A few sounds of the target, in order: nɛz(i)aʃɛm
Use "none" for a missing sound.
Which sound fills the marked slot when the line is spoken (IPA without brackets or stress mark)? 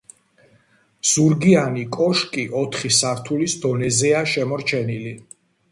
ɛ